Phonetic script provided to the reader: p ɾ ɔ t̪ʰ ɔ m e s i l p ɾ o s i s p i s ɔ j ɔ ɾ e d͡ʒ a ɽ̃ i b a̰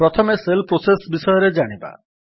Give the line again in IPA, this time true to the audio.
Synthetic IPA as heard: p ɾ ɔ t̪ʰ ɔ m e s e l p ɾ o s e s b i s ɔ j ɔ ɾ e d͡ʒ a ɽ̃ i b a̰